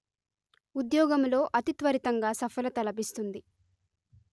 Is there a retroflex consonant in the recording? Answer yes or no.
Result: no